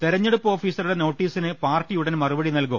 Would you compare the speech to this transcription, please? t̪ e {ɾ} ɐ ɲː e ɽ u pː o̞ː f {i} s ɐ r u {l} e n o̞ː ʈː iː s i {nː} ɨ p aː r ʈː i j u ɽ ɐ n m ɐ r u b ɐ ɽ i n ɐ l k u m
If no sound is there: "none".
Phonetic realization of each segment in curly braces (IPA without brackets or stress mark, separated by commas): ɾ, iː, ɽ, n